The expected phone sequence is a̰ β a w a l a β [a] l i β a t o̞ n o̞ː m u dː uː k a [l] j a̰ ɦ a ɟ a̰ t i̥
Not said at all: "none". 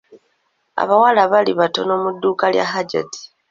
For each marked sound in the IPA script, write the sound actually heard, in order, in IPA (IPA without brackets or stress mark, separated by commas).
a, l